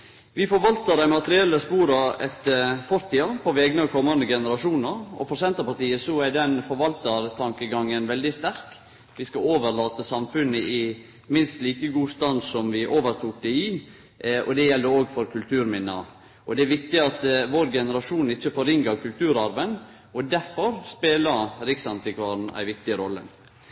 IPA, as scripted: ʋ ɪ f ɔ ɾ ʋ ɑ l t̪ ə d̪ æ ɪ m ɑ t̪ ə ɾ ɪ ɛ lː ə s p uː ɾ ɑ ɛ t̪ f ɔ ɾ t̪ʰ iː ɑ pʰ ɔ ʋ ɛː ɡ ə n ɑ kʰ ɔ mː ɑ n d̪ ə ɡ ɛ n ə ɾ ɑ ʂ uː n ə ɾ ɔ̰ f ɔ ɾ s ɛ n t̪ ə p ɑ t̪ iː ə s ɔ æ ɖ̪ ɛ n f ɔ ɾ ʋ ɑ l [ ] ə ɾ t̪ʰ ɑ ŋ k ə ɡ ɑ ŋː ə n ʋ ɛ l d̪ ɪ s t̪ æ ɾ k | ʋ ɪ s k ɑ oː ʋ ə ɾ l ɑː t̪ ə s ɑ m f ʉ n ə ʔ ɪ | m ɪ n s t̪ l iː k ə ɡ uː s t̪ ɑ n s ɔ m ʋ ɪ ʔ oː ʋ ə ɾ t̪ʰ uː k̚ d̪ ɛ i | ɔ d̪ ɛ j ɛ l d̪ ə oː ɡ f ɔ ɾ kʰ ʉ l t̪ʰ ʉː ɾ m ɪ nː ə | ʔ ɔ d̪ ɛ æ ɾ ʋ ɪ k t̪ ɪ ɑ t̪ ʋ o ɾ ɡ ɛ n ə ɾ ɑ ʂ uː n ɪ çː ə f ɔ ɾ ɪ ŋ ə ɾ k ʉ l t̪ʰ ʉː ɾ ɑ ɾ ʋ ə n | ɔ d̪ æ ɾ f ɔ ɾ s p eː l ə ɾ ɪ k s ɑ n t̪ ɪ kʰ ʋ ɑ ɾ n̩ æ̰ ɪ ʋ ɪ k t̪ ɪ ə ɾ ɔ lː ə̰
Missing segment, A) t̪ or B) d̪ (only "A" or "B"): A